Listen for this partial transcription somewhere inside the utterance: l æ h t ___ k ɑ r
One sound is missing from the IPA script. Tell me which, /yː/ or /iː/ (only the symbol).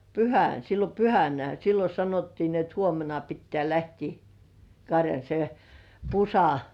iː